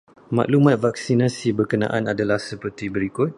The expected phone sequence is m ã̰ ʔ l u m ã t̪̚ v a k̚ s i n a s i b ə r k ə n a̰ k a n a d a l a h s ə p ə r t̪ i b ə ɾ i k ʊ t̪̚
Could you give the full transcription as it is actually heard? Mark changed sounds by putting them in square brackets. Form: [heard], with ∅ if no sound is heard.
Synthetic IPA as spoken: m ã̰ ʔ l u m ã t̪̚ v a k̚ s i n a s i b ə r k ə n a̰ [ʔ] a n a d a l a h s ə p ə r t̪ i b ə ɾ i k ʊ t̪̚